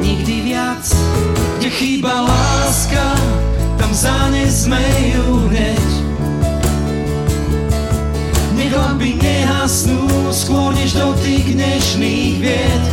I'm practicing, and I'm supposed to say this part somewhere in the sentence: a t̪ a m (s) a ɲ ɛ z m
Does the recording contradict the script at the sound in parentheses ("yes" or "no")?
yes